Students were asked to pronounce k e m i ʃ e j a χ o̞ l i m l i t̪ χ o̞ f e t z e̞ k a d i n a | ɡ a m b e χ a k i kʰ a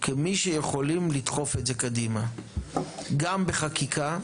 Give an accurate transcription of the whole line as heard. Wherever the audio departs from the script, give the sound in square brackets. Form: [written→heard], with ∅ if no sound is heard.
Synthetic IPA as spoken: k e m i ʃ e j [a→e] χ o̞ l i m l i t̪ χ o̞ f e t z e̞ k a d i [n→m] a | ɡ a m b e χ a k i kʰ a